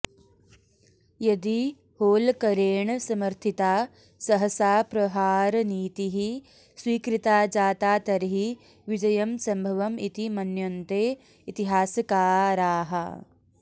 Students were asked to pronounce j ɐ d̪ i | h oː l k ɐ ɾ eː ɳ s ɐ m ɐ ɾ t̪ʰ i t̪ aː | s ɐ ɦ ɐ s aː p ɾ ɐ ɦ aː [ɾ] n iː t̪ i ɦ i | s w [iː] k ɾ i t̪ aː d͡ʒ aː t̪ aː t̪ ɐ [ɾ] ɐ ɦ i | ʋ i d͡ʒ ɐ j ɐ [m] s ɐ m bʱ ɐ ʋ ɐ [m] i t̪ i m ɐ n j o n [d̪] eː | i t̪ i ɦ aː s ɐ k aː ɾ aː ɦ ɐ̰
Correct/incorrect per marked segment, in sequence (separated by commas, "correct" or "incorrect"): correct, correct, correct, correct, correct, incorrect